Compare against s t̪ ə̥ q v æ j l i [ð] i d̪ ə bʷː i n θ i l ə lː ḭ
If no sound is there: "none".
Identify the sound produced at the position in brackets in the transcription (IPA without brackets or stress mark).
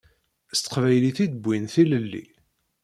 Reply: θ